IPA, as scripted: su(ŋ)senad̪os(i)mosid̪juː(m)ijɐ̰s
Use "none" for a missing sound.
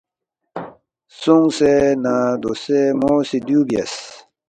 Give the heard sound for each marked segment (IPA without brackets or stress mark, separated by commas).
ŋ, e, b